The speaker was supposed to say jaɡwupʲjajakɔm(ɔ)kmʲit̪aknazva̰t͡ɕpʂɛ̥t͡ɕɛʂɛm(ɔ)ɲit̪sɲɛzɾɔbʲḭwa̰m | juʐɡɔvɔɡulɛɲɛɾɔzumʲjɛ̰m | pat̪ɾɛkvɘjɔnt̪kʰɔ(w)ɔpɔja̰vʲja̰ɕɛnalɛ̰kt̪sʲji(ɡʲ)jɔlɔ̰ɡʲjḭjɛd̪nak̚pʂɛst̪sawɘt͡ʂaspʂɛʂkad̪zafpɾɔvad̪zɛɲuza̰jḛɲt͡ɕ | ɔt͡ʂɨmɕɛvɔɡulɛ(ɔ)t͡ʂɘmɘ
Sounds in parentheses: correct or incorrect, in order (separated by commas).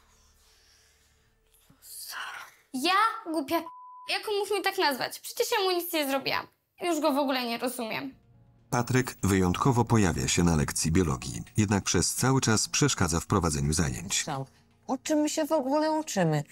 incorrect, incorrect, incorrect, incorrect, incorrect